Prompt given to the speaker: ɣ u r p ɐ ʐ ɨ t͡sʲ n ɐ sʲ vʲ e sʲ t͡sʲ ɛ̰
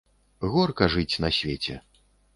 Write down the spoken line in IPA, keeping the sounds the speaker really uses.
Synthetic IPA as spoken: ɣ ɔ r k ɐ ʐ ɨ t͡sʲ n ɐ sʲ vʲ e t͡sʲ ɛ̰